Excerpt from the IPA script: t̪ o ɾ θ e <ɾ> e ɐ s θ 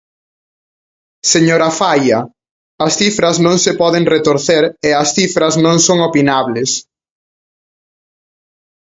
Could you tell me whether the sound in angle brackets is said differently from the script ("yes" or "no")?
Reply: no